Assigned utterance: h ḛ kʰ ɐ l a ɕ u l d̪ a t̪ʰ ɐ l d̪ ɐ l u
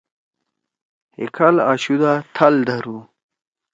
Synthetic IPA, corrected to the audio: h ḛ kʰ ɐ l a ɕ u d̪ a t̪ʰ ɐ l d̪ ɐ ɾ u